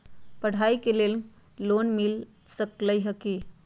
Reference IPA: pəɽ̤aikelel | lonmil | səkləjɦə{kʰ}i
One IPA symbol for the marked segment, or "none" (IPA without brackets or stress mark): k